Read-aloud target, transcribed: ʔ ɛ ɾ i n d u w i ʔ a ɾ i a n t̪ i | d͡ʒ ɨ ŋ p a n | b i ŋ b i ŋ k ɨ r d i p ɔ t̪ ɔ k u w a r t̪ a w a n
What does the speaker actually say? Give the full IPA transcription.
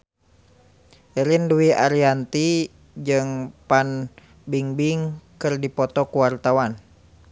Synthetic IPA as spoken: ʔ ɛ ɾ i n d u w i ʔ a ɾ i a n t̪ i | d͡ʒ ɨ ŋ p a n | b i ŋ b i ŋ k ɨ r d i p ɔ t̪ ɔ k u w a r t̪ a w a n